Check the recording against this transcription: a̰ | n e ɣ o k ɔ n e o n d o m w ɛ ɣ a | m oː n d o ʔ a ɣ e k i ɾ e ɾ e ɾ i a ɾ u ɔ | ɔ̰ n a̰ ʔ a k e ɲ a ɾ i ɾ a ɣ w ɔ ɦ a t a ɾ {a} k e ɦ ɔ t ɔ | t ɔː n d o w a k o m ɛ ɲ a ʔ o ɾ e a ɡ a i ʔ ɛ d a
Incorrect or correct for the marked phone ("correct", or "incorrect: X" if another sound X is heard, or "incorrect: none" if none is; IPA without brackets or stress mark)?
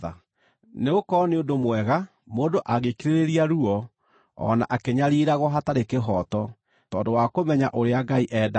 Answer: incorrect: e